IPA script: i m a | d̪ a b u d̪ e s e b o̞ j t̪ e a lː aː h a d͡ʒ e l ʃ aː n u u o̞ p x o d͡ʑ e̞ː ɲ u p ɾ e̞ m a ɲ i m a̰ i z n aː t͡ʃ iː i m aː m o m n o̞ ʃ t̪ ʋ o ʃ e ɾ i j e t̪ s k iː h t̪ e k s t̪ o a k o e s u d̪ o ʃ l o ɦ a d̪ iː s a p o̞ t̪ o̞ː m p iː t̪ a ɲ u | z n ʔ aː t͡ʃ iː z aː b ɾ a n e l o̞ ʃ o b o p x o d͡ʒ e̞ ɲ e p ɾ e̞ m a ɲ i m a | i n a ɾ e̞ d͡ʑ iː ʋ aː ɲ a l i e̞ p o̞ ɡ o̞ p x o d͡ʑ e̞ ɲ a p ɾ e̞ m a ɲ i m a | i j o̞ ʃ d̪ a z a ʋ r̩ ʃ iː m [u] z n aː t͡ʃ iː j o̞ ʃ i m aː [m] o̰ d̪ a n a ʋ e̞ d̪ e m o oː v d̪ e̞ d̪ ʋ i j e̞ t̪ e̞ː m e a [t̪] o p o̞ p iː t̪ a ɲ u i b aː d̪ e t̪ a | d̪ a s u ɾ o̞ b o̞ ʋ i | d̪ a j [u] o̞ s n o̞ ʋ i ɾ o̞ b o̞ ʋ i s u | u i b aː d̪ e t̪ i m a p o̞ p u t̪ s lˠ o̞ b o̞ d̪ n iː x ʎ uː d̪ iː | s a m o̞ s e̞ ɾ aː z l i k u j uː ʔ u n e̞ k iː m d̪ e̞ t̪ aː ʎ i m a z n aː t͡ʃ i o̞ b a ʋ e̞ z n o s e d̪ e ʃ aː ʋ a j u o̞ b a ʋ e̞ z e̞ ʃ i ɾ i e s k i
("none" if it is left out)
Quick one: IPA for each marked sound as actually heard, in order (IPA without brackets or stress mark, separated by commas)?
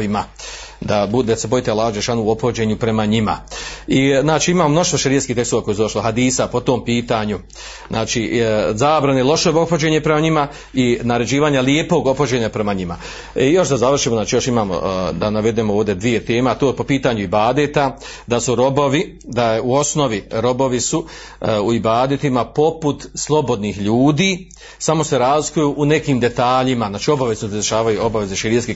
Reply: o, m, t̪, u